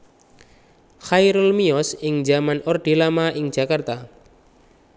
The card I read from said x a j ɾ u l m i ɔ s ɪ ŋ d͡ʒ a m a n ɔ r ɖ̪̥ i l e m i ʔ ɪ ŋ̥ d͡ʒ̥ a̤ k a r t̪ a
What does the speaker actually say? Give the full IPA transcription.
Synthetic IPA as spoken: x a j ɾ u l m i ɔ s ɪ ŋ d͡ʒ a m a n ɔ r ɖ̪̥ i l a m a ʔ ɪ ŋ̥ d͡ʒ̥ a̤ k a r t̪ a